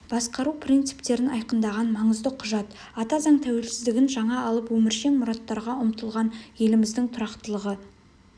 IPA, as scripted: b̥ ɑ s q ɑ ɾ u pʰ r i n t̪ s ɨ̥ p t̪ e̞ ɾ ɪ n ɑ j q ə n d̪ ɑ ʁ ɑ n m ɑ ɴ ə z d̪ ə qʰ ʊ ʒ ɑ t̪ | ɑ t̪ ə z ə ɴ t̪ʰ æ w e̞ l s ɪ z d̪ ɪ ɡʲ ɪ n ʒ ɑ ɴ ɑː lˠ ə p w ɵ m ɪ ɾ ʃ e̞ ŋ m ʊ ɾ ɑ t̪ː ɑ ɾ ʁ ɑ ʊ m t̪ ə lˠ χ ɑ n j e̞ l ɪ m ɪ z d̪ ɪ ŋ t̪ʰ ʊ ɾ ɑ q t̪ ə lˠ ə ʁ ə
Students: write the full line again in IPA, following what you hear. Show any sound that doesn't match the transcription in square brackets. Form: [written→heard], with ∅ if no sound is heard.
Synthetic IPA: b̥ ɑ s q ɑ ɾ u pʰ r i n t̪ s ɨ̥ p t̪ e̞ ɾ ɪ n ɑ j q ə n d̪ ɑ ʁ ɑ n m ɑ ɴ ə z d̪ ə qʰ ʊ ʒ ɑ t̪ | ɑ t̪ [ə→ɑ] z [ə→ɑ] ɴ t̪ʰ æ w e̞ l s ɪ z d̪ ɪ ɡʲ ɪ n ʒ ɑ ɴ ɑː lˠ ə p w ɵ m ɪ ɾ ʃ e̞ ŋ m ʊ ɾ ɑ t̪ː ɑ ɾ ʁ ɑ ʊ m t̪ ə lˠ [χ→ʁ] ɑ n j e̞ l ɪ m ɪ z d̪ ɪ ŋ t̪ʰ ʊ ɾ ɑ q t̪ ə lˠ ə ʁ ə

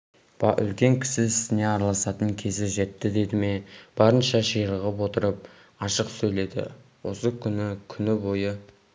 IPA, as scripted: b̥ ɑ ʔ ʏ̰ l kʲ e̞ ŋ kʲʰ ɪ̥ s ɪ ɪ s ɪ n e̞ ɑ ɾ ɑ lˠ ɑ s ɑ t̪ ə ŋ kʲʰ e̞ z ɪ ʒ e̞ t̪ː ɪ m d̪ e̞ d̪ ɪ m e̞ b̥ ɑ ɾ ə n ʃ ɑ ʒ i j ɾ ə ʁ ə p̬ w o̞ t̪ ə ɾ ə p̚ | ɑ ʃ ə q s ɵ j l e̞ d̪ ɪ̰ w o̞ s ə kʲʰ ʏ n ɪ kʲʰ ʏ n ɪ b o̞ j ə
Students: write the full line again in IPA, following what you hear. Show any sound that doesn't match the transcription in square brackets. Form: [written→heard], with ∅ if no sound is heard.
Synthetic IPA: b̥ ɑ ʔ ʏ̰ l kʲ e̞ ŋ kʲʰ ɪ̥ s ɪ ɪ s ɪ n e̞ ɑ ɾ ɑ lˠ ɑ s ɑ t̪ ə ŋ kʲʰ e̞ z ɪ ʒ e̞ t̪ː ɪ [m→∅] d̪ e̞ d̪ ɪ m e̞ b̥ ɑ ɾ ə n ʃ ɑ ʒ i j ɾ ə ʁ ə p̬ w o̞ t̪ ə ɾ ə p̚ | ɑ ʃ ə q s ɵ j l e̞ d̪ ɪ̰ w o̞ s ə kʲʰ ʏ n ɪ kʲʰ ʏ n ɪ b o̞ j ə

